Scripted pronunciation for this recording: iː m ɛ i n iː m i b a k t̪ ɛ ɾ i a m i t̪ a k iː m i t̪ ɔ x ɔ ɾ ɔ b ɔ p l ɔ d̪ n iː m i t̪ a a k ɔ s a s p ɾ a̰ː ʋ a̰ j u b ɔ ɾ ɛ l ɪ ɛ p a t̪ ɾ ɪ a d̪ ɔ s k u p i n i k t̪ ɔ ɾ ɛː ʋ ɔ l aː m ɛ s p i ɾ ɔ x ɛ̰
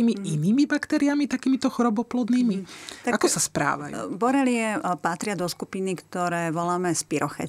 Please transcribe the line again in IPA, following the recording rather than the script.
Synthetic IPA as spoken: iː m i i n iː m i b a k t̪ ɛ ɾ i a m i t̪ a k iː m i t̪ ɔ x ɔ ɾ ɔ b ɔ p l ɔ d̪ n iː m i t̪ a a k ɔ s a s p ɾ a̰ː ʋ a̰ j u b ɔ ɾ ɛ l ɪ ɛ p a t̪ ɾ ɪ a d̪ ɔ s k u p i n i k t̪ ɔ ɾ ɛː ʋ ɔ l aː m ɛ s p i ɾ ɔ x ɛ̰